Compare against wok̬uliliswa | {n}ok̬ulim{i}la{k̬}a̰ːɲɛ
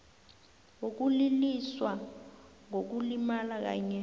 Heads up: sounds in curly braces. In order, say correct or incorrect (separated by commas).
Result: incorrect, incorrect, correct